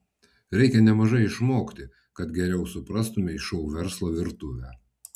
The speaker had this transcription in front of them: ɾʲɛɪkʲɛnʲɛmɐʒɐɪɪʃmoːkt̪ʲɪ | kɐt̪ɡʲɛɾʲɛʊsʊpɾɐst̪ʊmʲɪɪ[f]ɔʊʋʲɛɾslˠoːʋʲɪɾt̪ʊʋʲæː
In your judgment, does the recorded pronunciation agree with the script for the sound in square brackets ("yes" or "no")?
no